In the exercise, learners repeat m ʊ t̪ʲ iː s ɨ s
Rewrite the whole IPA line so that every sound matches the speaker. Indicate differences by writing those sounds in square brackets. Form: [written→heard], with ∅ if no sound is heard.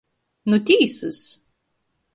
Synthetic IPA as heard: [m→n] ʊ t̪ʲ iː s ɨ s